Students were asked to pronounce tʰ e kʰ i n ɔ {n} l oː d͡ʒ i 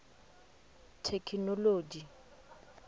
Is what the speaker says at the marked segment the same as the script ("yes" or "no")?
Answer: no